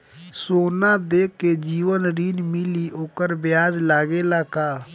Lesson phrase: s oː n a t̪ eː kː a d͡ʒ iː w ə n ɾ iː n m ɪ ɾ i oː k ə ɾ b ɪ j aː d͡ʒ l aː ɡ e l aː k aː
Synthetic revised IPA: s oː n a d̪ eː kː e d͡ʒ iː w ə n ɾ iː n m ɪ l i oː k ə ɾ b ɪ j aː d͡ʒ l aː ɡ e l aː k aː